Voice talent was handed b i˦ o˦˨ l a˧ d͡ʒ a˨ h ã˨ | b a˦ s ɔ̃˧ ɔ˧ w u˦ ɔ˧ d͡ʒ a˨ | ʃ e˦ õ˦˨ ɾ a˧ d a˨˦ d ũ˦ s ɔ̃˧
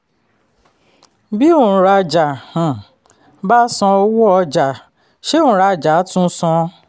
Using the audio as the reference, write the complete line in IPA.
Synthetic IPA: b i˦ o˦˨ ɾ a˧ d͡ʒ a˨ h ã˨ | b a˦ s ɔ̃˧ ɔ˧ w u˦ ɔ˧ d͡ʒ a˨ | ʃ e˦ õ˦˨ ɾ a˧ d͡ʒ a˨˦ t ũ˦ s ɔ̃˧